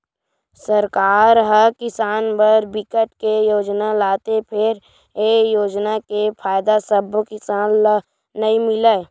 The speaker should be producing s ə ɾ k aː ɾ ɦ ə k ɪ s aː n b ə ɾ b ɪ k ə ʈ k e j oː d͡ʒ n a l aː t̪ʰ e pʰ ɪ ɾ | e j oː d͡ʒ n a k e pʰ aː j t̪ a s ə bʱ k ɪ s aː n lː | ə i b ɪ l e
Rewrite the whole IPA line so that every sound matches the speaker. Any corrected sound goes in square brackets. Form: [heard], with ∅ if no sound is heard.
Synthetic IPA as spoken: s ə ɾ k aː ɾ ɦ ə k ɪ s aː n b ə ɾ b ɪ k ə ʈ k e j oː d͡ʒ n a l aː [t̪] e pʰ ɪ ɾ | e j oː d͡ʒ n a k e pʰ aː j [d̪] a s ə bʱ k ɪ s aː n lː | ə i [m] ɪ l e